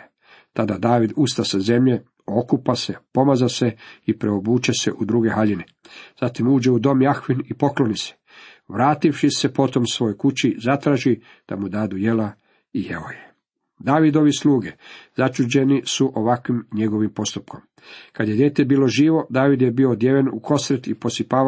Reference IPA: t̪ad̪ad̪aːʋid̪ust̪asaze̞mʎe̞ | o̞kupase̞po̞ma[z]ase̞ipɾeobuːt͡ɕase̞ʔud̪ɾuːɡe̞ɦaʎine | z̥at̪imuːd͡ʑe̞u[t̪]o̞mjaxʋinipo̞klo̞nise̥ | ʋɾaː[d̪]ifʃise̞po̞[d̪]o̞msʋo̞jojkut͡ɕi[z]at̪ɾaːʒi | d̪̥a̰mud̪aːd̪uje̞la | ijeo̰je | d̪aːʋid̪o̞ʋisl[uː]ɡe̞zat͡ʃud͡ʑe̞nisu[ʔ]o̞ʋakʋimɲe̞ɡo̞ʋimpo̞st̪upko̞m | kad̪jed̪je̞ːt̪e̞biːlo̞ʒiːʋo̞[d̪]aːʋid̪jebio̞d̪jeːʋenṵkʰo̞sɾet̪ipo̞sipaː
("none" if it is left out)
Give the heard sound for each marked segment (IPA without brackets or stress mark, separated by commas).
z, d̪, t̪, t̪, z, uː, ʔ, d̪